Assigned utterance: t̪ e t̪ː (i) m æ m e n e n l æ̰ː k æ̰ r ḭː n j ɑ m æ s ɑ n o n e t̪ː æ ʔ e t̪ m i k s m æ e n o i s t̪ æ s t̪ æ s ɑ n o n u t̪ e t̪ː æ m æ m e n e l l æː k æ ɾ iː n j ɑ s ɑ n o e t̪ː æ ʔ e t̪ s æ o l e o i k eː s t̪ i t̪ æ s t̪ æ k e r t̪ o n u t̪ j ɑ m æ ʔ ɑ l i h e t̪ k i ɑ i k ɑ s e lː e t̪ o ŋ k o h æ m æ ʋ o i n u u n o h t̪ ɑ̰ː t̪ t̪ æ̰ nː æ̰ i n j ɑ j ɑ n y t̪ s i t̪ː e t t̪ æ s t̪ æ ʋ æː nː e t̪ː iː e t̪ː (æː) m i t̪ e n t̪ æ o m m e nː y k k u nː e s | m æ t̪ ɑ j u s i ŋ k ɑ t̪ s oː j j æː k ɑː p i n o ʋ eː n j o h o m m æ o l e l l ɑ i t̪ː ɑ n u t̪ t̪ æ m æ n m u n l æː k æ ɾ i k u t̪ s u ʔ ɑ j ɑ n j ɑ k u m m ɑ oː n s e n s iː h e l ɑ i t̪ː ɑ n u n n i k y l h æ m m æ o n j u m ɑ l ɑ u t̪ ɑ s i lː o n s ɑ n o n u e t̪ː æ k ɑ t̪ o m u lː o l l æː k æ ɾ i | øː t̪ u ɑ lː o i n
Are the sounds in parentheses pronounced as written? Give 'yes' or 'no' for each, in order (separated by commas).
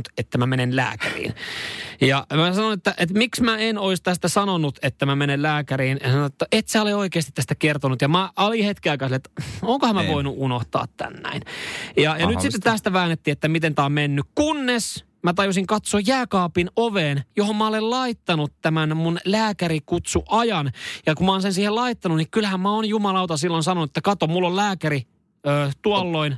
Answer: no, no